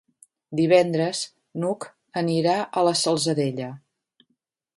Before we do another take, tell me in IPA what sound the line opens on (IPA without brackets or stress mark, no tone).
d̪